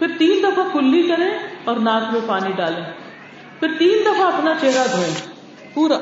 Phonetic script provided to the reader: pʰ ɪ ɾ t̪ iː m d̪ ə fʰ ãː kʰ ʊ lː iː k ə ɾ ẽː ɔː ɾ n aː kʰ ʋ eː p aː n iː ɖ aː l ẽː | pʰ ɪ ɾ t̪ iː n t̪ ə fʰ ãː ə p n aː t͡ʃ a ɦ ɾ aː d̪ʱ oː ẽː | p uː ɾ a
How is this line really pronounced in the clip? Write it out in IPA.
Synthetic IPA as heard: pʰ ɪ ɾ t̪ iː n d̪ ə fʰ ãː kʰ ʊ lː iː k ə ɾ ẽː ɔː ɾ n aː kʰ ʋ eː p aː n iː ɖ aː l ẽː | pʰ ɪ ɾ t̪ iː n d̪ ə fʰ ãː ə p n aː t͡ʃ e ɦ ɾ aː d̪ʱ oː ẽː | p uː ɾ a